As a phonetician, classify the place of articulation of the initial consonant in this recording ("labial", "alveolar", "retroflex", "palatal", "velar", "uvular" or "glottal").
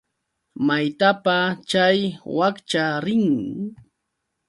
labial